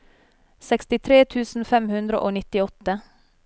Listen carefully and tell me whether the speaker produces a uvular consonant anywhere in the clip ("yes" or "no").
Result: no